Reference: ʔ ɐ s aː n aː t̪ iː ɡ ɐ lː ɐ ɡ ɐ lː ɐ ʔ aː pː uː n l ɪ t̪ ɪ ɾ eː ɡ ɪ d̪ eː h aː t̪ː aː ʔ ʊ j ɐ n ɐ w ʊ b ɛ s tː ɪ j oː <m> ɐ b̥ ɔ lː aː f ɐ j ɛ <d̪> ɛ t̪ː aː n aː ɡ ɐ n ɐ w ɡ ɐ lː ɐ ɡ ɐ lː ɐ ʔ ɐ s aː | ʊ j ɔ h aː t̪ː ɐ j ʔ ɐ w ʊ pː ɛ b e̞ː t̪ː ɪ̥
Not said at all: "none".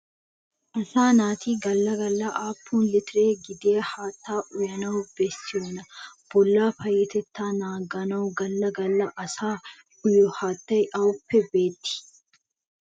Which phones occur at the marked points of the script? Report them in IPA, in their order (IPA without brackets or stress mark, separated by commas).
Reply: n, t̪